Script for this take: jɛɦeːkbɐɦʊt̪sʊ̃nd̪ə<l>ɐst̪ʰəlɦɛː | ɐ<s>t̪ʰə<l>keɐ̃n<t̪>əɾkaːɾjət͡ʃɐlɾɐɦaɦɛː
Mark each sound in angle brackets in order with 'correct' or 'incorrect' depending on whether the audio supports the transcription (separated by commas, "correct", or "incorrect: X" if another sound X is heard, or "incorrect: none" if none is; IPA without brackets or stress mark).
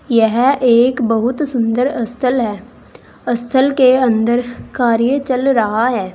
incorrect: ɾ, correct, correct, incorrect: d̪